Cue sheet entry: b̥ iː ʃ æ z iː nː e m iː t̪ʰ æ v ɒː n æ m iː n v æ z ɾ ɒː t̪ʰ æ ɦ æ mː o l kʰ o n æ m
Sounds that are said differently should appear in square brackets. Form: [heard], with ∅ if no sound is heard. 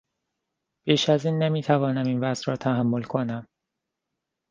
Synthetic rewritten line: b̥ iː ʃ æ z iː nː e m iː t̪ʰ æ v ɒː n æ m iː n v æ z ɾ ɒː t̪ʰ æ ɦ æ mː o l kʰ o n æ m

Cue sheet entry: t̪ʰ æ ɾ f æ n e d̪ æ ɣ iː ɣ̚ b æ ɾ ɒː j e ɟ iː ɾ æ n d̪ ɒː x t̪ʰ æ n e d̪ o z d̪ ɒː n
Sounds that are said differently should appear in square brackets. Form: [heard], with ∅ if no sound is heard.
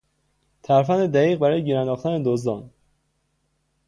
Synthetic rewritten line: t̪ʰ æ ɾ f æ n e d̪ æ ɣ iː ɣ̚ b æ ɾ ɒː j e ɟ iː ɾ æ n d̪ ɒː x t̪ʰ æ n e d̪ o z d̪ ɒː n

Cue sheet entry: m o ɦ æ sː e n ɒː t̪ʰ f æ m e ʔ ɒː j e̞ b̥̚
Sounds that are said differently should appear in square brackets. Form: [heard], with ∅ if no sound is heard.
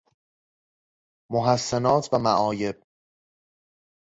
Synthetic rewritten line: m o ɦ æ sː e n ɒː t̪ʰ [v] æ m [æ] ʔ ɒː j e̞ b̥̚

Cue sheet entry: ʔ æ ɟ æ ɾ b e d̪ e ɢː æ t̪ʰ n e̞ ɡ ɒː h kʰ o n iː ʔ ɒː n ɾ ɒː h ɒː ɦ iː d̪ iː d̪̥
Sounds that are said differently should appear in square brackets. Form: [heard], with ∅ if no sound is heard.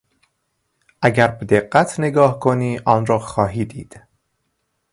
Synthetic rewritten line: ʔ æ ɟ æ ɾ b e d̪ e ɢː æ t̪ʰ n e̞ ɡ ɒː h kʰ o n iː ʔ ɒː n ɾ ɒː [x] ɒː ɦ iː d̪ iː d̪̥

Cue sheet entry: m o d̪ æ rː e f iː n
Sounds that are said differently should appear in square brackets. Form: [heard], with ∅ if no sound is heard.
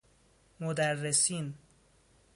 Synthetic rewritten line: m o d̪ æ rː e [s] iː n

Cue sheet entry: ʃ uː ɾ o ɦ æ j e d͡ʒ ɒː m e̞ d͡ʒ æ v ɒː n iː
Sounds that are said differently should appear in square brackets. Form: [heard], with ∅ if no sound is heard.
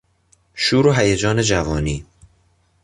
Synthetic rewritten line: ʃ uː ɾ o ɦ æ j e d͡ʒ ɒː [n] e̞ d͡ʒ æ v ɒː n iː

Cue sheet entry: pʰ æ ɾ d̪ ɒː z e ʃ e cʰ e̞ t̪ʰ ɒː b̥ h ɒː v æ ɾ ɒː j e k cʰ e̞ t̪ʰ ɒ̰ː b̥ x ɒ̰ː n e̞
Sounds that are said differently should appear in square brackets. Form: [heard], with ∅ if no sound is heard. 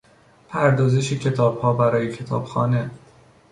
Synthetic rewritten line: pʰ æ ɾ d̪ ɒː z e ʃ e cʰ e̞ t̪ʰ ɒː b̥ h ɒː [b] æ ɾ ɒː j e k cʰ e̞ t̪ʰ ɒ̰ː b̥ x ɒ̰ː n e̞

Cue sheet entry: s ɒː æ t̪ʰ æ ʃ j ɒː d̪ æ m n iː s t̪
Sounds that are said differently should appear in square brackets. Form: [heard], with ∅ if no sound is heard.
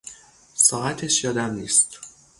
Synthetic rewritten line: s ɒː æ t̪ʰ [e] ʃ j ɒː d̪ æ m n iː s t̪

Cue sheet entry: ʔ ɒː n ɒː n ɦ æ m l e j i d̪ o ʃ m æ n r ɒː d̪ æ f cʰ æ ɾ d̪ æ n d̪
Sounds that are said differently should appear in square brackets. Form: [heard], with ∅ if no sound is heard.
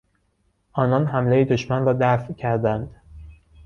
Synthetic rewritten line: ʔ ɒː n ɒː n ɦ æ m l e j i d̪ o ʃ m æ n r ɒː d̪ æ f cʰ æ ɾ d̪ æ n d̪

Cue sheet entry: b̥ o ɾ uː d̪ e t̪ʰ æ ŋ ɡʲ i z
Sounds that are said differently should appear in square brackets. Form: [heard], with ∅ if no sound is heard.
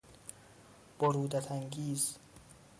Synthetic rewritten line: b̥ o ɾ uː d̪ [æ] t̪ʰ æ ŋ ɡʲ [iː] z

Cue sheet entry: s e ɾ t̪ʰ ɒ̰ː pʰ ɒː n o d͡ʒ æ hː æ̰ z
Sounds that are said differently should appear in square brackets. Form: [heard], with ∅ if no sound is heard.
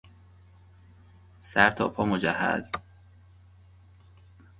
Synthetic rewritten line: s [æ] ɾ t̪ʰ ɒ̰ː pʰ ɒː [m] o d͡ʒ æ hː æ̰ z

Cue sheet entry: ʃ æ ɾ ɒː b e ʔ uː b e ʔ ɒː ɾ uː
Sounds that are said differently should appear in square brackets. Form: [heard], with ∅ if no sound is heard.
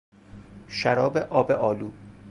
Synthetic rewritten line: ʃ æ ɾ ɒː b e ʔ [ɒː] b e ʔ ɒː [l] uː

